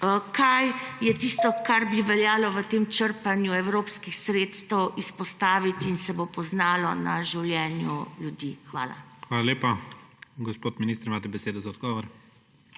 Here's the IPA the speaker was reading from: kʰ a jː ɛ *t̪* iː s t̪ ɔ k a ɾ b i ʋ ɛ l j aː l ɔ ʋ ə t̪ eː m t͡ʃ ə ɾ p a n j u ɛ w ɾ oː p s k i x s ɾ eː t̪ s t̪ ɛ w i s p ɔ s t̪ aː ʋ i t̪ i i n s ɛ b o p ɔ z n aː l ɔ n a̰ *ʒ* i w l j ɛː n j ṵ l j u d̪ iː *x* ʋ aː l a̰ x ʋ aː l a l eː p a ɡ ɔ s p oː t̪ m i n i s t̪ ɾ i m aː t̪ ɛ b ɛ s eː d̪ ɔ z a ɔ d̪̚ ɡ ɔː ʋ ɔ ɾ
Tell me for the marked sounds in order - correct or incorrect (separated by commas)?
correct, correct, correct